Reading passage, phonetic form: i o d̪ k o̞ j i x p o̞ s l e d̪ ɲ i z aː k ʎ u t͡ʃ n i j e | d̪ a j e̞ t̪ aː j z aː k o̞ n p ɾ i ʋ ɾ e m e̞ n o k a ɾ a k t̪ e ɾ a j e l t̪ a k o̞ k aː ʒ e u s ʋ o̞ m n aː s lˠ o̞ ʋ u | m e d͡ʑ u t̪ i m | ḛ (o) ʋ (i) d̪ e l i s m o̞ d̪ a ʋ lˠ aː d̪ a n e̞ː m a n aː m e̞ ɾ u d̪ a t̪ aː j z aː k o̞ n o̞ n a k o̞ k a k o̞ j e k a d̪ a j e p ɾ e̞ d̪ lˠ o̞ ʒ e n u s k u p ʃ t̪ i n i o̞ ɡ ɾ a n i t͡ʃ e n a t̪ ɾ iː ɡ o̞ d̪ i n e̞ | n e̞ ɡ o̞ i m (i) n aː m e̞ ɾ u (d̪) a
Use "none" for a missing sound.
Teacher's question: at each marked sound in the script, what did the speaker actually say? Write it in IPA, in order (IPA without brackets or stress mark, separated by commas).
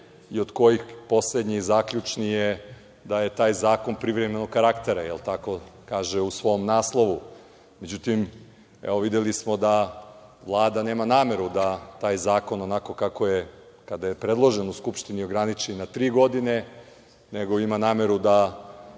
o, i, a, d̪